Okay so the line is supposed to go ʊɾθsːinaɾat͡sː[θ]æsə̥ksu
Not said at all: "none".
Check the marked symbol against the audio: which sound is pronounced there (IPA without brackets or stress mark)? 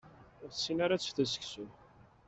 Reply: θ